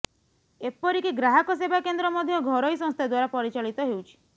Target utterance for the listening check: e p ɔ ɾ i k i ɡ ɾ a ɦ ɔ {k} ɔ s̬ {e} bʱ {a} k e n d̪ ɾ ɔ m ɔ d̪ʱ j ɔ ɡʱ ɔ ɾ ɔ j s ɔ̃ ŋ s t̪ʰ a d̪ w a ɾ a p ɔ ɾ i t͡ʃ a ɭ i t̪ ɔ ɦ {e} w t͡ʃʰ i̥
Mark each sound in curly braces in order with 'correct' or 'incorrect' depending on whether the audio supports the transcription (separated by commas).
correct, correct, correct, correct